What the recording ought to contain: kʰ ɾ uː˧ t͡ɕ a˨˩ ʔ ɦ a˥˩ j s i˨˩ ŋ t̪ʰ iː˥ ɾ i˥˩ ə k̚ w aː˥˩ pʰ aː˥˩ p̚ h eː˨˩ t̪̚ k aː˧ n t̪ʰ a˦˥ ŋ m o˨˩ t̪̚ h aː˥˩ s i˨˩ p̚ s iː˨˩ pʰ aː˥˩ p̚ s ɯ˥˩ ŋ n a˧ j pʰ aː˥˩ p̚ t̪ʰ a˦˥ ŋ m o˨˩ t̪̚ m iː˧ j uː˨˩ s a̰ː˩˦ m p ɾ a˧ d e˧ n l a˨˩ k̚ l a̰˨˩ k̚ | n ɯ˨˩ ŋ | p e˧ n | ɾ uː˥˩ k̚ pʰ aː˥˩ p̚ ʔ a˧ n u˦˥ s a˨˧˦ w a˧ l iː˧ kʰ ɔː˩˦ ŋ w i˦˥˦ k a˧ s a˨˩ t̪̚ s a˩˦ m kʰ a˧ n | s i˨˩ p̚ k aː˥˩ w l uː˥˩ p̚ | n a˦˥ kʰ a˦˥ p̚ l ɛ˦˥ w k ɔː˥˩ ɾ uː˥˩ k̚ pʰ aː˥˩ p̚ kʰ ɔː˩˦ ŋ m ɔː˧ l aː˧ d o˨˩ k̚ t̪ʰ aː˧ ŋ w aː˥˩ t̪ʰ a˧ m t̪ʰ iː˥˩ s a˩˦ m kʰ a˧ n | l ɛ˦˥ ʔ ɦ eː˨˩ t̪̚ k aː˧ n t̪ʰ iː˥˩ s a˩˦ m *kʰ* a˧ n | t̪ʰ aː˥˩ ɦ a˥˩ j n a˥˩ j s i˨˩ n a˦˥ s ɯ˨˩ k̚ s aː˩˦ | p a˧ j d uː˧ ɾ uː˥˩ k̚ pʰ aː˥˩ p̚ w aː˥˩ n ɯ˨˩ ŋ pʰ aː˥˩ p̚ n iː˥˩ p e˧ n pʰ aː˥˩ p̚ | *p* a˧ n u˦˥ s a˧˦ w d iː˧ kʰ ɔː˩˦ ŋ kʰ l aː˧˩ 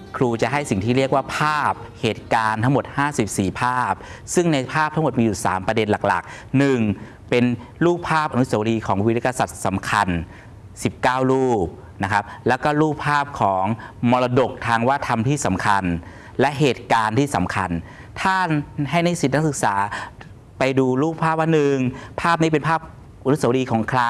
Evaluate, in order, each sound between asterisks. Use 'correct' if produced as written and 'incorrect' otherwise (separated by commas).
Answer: correct, incorrect